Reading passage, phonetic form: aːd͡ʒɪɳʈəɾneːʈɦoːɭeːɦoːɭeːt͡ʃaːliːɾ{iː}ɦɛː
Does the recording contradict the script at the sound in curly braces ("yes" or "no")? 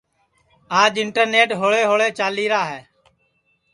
yes